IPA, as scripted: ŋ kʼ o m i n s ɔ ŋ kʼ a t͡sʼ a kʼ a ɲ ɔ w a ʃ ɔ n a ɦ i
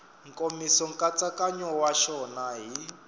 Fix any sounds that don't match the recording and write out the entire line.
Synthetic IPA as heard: ŋ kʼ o m i s ɔ ŋ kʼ a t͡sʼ a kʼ a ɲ ɔ w a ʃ ɔ n a ɦ i

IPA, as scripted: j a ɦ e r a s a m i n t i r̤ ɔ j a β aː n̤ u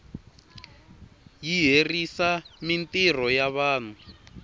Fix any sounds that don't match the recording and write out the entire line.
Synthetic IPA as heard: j i ɦ e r i s a m i n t i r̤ ɔ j a β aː n̤ u

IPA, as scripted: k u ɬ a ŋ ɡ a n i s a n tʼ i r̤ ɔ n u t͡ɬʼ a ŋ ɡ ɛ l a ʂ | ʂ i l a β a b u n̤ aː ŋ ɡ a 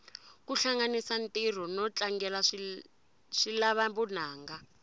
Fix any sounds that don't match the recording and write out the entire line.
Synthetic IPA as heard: k u ɬ a ŋ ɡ a n i s a n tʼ i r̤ ɔ n ɔ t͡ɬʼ a ŋ ɡ ɛ l a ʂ | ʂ i l a β a b u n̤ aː ŋ ɡ a

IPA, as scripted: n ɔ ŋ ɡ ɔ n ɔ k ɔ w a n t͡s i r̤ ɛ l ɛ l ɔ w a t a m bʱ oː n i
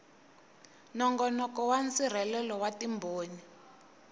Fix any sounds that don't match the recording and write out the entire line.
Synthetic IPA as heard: n ɔ ŋ ɡ ɔ n ɔ k ɔ w a n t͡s i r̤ ɛ l ɛ l ɔ w a t i m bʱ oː n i

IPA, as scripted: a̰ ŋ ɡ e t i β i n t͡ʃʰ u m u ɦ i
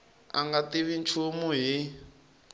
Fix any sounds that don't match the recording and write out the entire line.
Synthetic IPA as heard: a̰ ŋ ɡ a t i β i n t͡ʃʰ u m u ɦ i

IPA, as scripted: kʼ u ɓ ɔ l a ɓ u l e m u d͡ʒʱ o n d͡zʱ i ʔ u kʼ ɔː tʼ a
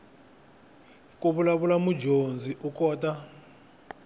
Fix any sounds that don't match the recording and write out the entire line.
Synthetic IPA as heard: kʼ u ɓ u l a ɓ u l a m u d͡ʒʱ o n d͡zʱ i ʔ u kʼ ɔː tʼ a

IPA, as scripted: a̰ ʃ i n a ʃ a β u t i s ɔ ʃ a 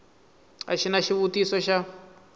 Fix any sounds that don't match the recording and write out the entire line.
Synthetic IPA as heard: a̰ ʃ i n a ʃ i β u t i s ɔ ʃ a

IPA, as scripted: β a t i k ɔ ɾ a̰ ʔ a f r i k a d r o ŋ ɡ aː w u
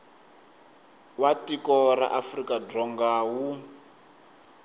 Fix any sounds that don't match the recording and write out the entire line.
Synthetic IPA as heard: w a t i k ɔ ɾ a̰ ʔ a f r i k a d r ɔ ŋ ɡ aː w u

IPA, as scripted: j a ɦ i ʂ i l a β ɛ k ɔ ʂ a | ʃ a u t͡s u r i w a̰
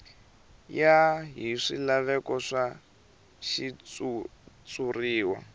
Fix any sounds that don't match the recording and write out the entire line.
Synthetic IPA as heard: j a ɦ i ʂ i l a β ɛ k ɔ ʂ a | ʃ i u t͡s u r iː w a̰

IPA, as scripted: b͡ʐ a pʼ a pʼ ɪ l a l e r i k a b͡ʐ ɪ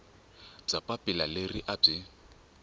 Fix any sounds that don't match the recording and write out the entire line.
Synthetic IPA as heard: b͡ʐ a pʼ a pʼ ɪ l a l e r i ʔ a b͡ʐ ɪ

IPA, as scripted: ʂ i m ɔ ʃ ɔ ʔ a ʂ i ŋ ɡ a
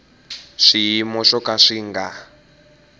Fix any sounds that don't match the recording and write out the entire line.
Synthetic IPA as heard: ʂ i m ɔ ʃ ɔ k a ʂ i ŋ ɡ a

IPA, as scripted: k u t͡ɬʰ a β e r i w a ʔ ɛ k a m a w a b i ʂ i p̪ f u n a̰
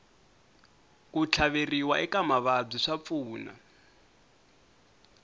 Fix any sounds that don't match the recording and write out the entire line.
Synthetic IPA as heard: k u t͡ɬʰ a β e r i w a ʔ ɛ k a m a β a b͡ʐ i ʂ a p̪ f uː n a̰

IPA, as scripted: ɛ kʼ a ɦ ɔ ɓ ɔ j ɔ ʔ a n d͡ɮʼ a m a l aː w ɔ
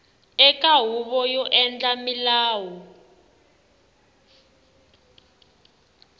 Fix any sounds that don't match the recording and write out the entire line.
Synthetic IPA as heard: ɛ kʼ a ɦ u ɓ ɔ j ɔ ʔ ɛ n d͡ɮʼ a m i l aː w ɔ

